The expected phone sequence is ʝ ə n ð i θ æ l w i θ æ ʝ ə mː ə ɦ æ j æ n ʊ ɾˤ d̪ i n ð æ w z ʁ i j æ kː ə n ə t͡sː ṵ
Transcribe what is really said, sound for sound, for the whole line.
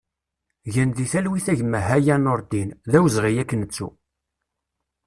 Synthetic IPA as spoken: ʝ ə n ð i θ æ l w i θ æ ʝ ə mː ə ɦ æ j æ n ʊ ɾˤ d̪ i n ð æ w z ʁ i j æ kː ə n ə t͡sː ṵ

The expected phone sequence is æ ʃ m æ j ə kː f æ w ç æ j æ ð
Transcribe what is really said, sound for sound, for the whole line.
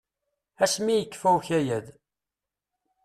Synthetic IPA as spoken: æ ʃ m i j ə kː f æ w ç æ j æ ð

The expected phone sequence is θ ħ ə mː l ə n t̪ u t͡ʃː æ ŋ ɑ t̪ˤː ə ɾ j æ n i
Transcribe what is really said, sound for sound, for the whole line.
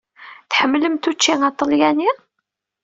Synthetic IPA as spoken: θ ħ ə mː l ə m t̪ u t͡ʃː i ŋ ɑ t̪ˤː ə l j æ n i

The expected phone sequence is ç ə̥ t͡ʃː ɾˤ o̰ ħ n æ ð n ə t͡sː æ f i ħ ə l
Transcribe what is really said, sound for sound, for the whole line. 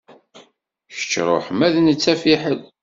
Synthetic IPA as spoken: ç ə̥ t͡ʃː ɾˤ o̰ ħ m æ ð n ə t͡sː æ f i ħ ə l

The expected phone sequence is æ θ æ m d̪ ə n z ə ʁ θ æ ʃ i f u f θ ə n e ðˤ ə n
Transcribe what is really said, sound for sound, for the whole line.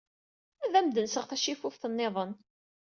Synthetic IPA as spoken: æ ð æ m d̪ ə n s ə ʁ θ æ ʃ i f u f θ ə nː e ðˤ ə n

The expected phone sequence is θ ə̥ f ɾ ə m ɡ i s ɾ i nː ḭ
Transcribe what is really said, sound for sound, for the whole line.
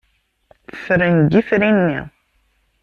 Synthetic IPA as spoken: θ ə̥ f ɾ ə n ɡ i f ɾ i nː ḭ

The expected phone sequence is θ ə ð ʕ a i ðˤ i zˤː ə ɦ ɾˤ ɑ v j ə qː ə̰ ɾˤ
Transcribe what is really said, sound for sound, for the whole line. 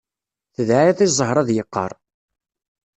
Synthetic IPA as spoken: θ ə ð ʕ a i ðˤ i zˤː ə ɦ ɾˤ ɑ ð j ə qː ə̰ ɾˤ

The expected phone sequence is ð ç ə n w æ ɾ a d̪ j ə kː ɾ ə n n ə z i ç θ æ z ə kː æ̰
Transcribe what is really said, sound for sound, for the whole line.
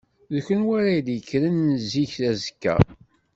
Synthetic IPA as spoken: ð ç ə n w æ ɾ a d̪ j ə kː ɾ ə n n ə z i ç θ æ z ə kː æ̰

